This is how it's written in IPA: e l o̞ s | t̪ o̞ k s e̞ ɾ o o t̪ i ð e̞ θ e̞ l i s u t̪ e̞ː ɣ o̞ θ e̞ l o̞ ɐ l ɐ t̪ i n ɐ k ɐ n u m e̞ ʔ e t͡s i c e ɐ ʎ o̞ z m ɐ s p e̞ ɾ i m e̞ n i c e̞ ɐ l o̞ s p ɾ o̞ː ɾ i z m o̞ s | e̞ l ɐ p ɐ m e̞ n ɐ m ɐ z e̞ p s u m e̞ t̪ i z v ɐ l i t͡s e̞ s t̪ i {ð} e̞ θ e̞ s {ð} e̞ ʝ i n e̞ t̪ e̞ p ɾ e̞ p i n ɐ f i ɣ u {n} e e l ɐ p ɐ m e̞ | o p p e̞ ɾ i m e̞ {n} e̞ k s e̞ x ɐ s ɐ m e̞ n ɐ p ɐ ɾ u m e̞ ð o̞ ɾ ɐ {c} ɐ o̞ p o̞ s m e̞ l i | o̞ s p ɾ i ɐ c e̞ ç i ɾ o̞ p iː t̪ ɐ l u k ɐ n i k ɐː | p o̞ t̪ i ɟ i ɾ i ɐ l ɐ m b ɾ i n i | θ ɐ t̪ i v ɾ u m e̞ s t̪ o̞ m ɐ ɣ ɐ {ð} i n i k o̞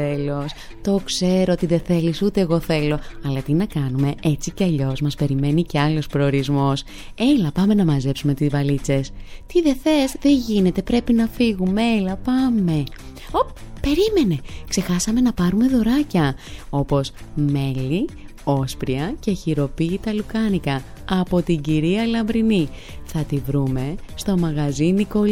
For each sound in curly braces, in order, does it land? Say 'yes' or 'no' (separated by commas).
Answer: yes, yes, no, yes, yes, no